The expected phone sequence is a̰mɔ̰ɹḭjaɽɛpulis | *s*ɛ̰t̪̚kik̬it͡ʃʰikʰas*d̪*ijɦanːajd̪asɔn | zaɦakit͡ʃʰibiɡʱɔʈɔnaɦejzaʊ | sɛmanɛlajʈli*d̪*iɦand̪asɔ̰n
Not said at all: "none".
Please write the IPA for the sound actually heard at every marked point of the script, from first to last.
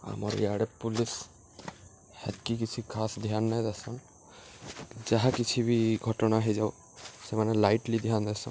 h, d̪, d̪

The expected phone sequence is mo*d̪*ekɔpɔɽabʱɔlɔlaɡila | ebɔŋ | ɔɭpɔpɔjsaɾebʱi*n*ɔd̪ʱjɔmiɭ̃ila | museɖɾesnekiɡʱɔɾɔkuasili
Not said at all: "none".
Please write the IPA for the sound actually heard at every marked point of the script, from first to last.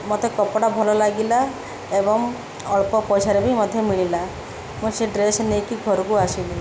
t̪, m

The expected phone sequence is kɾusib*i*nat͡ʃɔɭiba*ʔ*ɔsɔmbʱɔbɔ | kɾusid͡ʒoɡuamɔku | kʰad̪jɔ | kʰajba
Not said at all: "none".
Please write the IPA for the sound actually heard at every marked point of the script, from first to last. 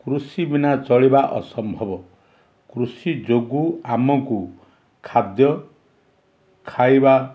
i, ʔ

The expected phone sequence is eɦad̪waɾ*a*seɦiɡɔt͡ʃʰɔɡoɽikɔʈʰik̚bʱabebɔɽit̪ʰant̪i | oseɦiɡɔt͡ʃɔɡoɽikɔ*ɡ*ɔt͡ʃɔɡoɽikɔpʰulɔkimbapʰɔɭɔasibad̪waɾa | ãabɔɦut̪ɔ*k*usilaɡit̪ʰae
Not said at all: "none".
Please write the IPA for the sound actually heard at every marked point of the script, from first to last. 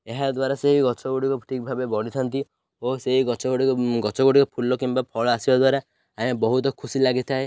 a, ɡ, kʰ

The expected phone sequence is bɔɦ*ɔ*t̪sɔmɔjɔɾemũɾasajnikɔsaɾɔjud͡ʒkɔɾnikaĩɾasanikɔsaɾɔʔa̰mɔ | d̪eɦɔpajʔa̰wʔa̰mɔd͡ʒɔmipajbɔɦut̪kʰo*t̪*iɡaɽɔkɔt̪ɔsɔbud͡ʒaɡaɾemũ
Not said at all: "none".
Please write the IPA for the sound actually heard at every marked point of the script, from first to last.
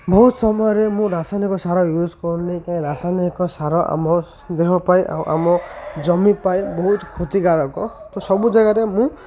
u, t̪

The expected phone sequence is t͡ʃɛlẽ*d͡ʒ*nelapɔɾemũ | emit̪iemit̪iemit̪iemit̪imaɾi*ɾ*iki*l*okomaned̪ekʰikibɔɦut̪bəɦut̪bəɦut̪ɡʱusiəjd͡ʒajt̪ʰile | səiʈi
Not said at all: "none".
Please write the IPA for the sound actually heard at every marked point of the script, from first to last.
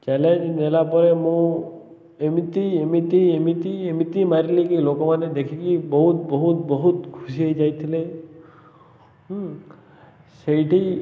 d͡ʒ, l, l

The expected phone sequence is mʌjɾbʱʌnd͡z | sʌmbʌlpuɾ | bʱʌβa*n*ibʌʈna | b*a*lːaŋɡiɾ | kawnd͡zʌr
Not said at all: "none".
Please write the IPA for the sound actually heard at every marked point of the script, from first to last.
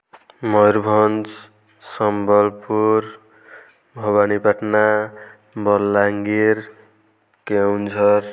n, ʌ

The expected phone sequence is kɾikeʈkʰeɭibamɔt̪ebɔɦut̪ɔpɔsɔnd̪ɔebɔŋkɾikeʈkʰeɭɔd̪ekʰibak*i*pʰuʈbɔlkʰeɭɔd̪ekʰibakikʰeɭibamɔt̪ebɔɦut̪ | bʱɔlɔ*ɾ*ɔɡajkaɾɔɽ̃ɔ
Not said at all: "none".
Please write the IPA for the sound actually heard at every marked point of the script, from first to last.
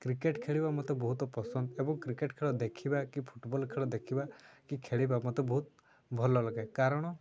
i, l

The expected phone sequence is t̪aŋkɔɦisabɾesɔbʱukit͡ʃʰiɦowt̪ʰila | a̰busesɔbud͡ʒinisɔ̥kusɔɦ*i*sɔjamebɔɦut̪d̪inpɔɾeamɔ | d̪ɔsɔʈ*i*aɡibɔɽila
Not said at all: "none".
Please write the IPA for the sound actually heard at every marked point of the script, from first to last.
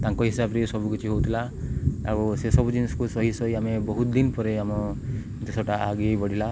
i, a

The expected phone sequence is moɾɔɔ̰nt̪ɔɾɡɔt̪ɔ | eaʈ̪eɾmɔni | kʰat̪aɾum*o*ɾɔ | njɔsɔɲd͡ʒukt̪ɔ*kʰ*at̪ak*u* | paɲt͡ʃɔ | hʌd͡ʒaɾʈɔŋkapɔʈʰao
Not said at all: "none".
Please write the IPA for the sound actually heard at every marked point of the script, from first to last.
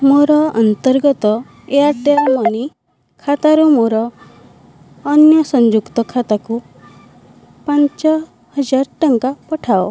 o, kʰ, u

